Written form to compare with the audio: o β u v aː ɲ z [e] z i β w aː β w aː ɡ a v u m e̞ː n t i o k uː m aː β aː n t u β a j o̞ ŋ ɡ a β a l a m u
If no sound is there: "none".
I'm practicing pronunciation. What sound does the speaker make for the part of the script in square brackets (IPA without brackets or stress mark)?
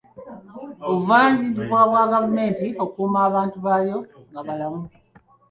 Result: i